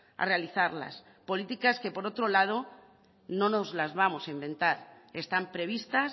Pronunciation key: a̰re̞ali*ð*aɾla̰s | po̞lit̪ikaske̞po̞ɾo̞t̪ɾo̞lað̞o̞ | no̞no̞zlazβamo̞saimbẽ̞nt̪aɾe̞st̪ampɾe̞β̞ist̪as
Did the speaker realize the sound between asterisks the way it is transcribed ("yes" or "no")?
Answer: no